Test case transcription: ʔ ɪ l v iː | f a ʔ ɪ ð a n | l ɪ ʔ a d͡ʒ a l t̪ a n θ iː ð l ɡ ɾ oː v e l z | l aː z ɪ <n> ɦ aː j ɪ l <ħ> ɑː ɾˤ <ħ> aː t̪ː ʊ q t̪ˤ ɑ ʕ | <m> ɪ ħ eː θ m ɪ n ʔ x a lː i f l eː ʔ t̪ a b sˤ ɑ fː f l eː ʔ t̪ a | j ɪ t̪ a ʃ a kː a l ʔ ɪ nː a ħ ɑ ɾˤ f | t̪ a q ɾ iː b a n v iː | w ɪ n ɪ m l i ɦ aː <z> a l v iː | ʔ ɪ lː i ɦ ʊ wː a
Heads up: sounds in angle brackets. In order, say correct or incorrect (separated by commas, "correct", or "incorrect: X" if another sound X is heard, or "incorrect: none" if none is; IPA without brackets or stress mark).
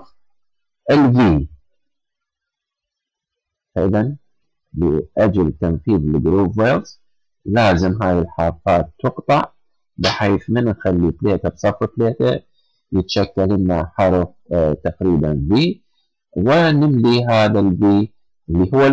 incorrect: m, correct, incorrect: f, incorrect: b, incorrect: ð